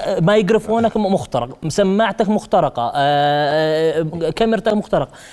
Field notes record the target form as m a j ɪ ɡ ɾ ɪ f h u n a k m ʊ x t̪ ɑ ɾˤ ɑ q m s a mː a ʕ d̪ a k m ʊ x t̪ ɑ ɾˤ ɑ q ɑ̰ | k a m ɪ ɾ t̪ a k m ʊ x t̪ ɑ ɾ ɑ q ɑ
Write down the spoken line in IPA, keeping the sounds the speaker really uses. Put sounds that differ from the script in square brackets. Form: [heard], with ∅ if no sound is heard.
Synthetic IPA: m a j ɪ ɡ ɾ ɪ f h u n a k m ʊ x t̪ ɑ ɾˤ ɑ q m s a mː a ʕ [t̪] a k m ʊ x t̪ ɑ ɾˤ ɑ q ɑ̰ | k a m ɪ ɾ t̪ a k m ʊ x t̪ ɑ ɾ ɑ q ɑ